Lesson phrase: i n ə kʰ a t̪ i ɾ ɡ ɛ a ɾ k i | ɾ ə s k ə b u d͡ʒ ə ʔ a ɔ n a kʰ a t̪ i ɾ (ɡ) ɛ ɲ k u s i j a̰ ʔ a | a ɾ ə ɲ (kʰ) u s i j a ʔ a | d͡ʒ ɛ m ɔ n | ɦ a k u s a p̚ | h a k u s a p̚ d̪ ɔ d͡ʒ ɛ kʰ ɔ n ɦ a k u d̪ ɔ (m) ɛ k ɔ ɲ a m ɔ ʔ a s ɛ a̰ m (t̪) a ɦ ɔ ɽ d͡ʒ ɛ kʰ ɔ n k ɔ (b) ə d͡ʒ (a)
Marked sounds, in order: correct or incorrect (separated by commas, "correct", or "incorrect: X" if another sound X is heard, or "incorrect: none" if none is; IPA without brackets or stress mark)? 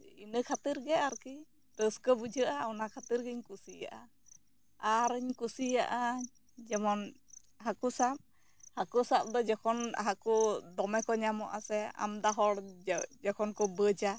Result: correct, incorrect: k, correct, incorrect: d̪, correct, correct